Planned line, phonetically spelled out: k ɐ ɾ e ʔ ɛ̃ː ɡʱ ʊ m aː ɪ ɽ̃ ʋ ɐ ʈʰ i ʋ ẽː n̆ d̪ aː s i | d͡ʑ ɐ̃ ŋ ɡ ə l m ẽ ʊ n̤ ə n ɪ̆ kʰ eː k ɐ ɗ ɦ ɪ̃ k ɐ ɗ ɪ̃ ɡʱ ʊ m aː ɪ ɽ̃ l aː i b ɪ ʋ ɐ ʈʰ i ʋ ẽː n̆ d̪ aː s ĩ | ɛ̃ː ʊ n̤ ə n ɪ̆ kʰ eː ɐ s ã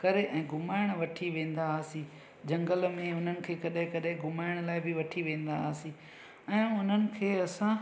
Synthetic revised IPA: k ɐ ɾ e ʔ ɛ̃ː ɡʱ ʊ m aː ɪ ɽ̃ ʋ ɐ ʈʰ i ʋ ẽː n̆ d̪ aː s i | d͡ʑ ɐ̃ ŋ ɡ ə l m ẽ ʊ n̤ ə n ɪ̆ kʰ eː k ɐ ɗ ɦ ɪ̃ k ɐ ɗ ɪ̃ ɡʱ ʊ m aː ɪ ɽ̃ l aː ɪ b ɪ ʋ ɐ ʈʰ i ʋ ẽː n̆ d̪ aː s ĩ | ɛ̃ː ʊ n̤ ə n ɪ̆ kʰ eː ɐ s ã